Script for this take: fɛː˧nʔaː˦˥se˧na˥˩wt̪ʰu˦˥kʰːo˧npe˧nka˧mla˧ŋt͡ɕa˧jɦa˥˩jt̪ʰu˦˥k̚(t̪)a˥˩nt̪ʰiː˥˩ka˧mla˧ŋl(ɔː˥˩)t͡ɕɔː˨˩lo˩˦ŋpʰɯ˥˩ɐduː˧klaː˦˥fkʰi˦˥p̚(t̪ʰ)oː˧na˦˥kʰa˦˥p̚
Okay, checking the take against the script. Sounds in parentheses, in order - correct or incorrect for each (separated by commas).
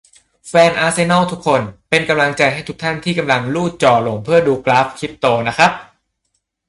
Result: incorrect, incorrect, incorrect